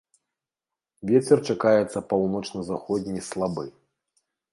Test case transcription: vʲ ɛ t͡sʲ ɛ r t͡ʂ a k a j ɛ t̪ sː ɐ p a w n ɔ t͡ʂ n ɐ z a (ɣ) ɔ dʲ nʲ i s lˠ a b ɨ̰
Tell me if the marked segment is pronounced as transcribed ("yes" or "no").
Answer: no